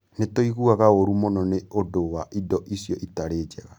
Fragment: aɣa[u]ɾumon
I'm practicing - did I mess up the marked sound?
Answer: yes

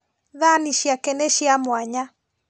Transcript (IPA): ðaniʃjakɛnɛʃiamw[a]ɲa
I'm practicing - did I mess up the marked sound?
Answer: no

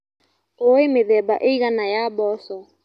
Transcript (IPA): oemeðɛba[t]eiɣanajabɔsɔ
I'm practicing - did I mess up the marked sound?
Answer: yes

